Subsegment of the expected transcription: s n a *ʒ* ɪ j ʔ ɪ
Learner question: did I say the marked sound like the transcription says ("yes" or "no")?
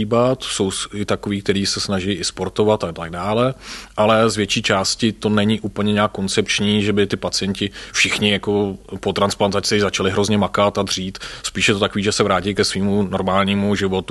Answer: yes